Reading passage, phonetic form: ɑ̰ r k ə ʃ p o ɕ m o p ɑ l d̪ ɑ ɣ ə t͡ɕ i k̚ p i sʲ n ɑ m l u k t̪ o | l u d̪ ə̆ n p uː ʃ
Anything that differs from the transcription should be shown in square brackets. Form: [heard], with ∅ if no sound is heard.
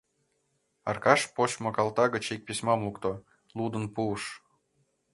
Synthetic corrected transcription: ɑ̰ r k [ɑ] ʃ p o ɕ m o [k] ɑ l [t̪] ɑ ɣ ə t͡ɕ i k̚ p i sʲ [m] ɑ m l u k t̪ o | l u d̪ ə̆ n p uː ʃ